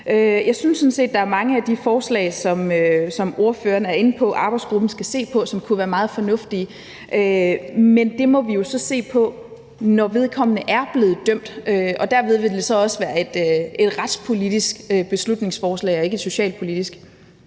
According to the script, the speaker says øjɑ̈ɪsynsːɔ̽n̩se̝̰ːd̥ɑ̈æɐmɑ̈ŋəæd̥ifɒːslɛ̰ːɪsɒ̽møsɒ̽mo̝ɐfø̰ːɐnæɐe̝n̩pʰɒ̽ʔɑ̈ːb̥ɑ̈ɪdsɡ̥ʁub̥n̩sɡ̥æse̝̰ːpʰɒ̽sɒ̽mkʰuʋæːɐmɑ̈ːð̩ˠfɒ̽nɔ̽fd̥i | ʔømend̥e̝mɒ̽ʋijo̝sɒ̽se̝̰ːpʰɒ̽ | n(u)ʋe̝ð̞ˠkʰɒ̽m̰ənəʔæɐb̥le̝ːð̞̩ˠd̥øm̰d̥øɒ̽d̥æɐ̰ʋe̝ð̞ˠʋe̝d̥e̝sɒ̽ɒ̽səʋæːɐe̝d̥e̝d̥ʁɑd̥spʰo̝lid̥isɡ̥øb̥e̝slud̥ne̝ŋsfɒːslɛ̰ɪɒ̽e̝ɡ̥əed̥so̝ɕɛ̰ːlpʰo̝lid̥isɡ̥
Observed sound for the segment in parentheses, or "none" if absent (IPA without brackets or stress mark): ɒ